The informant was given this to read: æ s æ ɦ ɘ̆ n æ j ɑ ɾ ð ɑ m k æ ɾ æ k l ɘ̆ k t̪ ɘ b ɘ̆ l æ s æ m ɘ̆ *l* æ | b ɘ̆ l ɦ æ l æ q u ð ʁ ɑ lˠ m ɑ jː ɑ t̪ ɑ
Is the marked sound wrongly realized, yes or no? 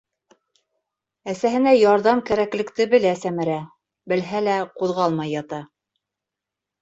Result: yes